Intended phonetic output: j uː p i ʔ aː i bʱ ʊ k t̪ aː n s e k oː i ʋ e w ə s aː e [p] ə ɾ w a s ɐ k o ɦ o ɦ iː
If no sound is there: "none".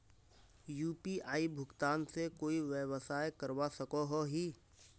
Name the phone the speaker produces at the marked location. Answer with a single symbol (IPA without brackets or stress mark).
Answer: k